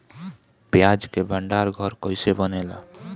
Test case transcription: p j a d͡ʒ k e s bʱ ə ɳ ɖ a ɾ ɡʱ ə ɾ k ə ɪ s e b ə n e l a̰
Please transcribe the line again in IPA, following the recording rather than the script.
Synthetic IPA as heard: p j a d͡ʒ k e bʱ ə ɳ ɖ a ɾ ɡʱ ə ɾ k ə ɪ s e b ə n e l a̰